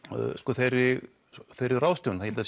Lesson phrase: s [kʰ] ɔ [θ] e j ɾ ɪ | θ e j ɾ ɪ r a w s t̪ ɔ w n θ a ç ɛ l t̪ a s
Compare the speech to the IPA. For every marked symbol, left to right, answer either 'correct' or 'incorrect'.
incorrect: k, correct

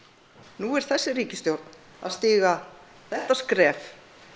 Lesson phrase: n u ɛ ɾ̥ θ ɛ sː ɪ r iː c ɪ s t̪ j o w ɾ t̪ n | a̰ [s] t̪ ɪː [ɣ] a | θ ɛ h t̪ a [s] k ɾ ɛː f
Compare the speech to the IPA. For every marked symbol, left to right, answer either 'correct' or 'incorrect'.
correct, correct, correct

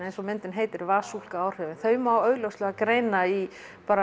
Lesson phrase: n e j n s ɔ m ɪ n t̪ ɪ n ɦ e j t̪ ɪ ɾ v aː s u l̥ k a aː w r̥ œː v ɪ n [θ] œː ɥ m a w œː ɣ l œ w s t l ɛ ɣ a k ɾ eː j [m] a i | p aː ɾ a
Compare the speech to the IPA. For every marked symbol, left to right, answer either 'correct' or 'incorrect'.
correct, incorrect: n

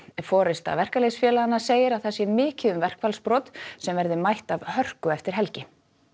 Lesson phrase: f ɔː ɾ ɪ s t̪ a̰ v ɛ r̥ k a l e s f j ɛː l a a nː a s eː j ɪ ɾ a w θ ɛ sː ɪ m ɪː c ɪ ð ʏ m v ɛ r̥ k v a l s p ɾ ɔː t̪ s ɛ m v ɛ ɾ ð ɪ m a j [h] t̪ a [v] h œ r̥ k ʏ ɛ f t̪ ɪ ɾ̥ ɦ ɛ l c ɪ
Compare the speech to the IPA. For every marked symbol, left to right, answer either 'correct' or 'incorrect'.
correct, correct

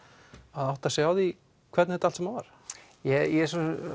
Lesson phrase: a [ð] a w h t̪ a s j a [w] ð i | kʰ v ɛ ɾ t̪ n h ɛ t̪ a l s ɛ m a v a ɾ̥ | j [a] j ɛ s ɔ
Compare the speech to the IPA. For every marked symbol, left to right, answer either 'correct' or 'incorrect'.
correct, correct, incorrect: ɛ

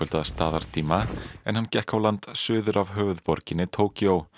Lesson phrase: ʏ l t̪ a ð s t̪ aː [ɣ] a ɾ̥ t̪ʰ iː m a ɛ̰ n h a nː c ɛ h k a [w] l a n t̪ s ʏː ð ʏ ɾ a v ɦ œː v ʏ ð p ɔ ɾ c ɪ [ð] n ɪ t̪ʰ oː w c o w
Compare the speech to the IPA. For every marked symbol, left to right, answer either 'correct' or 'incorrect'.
incorrect: ð, correct, incorrect: none

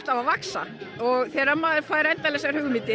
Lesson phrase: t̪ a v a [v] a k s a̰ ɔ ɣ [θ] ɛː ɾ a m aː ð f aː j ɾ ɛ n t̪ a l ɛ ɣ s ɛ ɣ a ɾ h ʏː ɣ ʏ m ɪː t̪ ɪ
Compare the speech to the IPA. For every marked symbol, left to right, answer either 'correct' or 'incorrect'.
correct, correct

